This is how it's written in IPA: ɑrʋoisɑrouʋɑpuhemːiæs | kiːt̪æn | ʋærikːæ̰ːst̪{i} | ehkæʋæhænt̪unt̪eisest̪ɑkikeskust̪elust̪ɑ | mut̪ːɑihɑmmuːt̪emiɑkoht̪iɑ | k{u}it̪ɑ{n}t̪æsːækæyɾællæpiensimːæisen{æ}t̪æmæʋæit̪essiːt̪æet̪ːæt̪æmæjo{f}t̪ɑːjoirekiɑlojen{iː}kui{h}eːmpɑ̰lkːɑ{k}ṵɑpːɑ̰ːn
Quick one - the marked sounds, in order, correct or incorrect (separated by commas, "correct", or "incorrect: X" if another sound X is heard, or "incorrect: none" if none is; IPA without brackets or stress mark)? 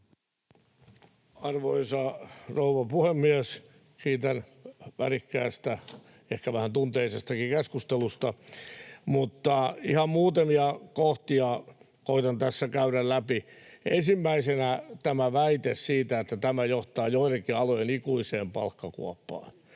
incorrect: æ, incorrect: o, correct, correct, incorrect: h, incorrect: i, incorrect: s, correct